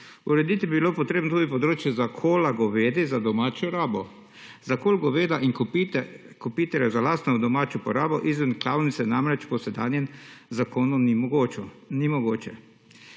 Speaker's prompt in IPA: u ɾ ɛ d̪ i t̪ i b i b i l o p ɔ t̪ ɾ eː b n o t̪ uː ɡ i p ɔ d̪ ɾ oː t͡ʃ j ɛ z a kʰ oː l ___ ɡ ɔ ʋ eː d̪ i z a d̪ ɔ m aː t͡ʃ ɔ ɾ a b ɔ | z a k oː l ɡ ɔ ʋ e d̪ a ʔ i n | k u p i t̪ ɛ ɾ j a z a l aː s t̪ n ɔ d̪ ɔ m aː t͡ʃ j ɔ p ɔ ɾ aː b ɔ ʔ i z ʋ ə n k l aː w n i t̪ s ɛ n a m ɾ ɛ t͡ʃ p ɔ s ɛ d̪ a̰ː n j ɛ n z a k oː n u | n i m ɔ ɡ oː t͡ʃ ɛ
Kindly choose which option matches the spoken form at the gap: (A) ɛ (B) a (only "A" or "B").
B